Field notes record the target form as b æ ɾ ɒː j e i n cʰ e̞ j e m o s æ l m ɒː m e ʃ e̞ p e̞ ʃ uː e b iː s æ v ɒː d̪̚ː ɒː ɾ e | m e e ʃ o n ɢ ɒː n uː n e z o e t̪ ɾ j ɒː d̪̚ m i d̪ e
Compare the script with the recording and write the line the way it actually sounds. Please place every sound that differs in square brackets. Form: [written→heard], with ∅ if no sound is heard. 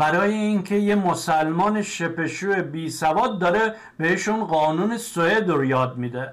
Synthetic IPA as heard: b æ ɾ ɒː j e i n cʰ e̞ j e m o s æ l m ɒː [m→n] e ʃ e̞ p e̞ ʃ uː e b iː s æ v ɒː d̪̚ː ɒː ɾ e | [m→b] e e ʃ [o→u] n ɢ ɒː n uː n e [z→s] o e [t̪→d̪] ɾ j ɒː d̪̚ m i d̪ e